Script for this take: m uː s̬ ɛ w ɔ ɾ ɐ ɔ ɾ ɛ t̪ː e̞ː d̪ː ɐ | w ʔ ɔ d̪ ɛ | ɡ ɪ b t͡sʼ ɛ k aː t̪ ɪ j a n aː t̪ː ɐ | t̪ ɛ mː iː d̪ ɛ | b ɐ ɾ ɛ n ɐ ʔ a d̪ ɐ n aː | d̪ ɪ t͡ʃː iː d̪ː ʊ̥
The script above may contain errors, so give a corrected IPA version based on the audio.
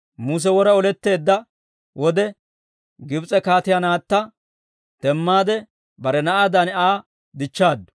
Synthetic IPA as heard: m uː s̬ ɛ w ɔ ɾ ɐ ɔ l ɛ t̪ː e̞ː d̪ː ɐ | w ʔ ɔ d̪ ɛ | ɡ ɪ b t͡sʼ ɛ k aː t̪ ɪ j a n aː t̪ː ɐ | t̪ ɛ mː aː d̪ ɛ | b ɐ ɾ ɛ n ɐ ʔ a d̪ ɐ n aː | d̪ ɪ t͡ʃː aː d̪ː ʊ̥